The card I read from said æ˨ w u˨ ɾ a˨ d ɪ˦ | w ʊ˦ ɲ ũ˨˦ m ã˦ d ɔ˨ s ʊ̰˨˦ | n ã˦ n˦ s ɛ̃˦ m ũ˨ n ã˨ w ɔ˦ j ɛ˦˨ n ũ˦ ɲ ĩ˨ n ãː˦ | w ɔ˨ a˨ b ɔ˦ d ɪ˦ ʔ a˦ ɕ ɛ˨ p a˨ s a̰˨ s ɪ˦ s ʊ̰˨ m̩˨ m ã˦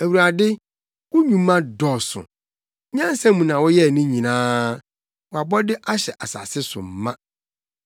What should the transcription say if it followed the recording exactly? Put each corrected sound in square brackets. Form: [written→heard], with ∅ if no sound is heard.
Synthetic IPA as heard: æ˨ w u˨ ɾ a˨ d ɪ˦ | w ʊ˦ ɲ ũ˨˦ m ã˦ d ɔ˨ s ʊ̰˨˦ | [n→ɲ] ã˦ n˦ s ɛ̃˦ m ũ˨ n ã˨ w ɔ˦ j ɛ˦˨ n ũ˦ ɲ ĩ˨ n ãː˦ | w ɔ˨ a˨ b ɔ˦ d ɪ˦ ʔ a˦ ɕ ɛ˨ [p→ʔ] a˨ s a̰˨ s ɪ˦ s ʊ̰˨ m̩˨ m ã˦